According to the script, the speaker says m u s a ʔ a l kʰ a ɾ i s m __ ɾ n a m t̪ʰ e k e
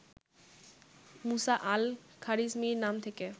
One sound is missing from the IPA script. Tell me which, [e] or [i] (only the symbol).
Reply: i